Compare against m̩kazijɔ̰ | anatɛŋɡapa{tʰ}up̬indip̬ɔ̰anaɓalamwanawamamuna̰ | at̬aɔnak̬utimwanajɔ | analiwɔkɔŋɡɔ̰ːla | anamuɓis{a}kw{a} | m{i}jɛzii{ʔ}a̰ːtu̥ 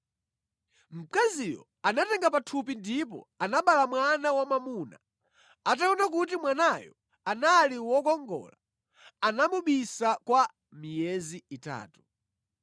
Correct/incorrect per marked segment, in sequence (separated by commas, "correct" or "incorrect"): correct, correct, correct, correct, incorrect